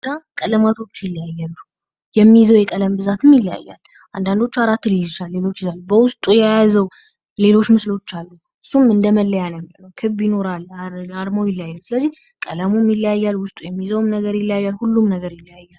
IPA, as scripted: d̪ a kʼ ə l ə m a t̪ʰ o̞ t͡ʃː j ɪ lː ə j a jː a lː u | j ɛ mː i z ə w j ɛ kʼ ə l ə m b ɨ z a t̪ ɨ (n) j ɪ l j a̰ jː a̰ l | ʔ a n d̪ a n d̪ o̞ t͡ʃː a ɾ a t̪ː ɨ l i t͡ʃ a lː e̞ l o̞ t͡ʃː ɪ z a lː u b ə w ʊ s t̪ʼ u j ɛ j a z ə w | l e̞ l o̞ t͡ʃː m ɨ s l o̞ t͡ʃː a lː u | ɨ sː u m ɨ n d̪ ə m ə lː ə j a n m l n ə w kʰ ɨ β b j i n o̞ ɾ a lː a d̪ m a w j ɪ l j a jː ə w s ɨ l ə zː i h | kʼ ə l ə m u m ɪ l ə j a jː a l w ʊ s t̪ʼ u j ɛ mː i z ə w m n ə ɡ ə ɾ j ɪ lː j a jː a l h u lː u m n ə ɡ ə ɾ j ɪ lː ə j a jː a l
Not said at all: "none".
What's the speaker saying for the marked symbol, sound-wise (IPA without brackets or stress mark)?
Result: m